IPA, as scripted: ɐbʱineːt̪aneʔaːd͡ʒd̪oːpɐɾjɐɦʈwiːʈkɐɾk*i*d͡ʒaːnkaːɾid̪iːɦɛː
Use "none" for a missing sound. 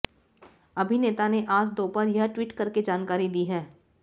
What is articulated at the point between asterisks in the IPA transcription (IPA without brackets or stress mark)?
e